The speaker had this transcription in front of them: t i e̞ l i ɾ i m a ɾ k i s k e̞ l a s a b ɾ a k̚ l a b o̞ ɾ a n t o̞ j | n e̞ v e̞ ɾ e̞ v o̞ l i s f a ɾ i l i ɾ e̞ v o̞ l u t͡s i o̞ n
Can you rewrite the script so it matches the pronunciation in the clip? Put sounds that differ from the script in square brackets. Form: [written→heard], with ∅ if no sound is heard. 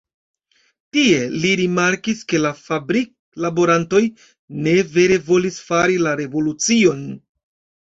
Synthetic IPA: t i e̞ l i ɾ i m a ɾ k i s k e̞ l a [s→f] a b ɾ [a→i] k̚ l a b o̞ ɾ a n t o̞ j | n e̞ v e̞ ɾ e̞ v o̞ l i s f a ɾ i l [i→a] ɾ e̞ v o̞ l u t͡s i o̞ n